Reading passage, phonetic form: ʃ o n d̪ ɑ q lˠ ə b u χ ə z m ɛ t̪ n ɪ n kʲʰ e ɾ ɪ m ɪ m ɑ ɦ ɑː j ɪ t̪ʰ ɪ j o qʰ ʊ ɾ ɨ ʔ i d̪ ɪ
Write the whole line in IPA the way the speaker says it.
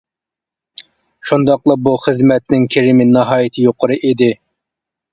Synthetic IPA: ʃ u n d̪ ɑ q lˠ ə b u χ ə z m ɛ t̪ n ɪ ŋ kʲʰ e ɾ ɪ m ɪ n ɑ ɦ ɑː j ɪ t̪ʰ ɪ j o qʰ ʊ ɾ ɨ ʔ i d̪ ɪ